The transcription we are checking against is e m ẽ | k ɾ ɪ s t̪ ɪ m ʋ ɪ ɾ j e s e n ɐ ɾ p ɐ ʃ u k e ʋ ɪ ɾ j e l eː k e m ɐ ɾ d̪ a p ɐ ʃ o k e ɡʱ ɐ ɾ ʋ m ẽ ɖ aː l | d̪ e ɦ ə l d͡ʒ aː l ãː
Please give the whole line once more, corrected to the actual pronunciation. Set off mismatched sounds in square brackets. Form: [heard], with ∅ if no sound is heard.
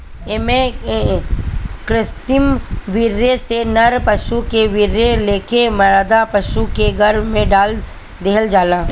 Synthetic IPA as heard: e m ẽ | k ɾ ɪ s t̪ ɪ m ʋ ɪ ɾ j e s e n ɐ ɾ p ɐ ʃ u k e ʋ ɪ ɾ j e l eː k e m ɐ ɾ d̪ a p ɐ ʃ [u] k e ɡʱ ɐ ɾ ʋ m ẽ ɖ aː l | d̪ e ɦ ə l d͡ʒ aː l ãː